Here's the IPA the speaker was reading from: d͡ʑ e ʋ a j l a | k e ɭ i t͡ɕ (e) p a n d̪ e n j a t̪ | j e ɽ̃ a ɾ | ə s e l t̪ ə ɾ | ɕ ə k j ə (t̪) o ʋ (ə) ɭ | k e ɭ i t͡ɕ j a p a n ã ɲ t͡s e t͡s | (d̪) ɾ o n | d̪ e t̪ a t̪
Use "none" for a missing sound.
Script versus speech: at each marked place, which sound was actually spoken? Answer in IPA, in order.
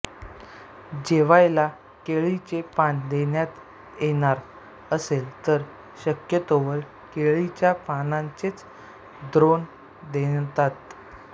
e, t̪, ə, d̪

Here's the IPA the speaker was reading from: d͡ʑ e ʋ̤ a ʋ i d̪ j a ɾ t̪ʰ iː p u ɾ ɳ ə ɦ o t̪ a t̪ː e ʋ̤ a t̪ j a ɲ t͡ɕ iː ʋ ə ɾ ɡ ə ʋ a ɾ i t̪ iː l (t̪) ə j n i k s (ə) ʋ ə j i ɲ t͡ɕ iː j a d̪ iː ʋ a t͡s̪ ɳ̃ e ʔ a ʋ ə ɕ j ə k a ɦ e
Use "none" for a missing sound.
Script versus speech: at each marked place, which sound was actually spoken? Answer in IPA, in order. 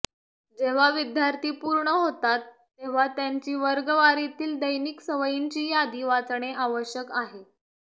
d̪, ə

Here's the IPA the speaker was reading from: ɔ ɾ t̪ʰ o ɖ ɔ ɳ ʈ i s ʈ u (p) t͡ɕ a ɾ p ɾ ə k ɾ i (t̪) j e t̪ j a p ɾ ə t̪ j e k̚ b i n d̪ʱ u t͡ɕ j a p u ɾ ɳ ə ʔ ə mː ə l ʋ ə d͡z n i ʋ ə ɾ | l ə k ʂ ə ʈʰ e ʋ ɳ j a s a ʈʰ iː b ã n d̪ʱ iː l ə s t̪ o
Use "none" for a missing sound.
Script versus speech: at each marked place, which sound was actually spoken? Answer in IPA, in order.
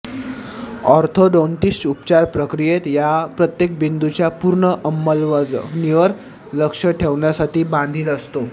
p, none

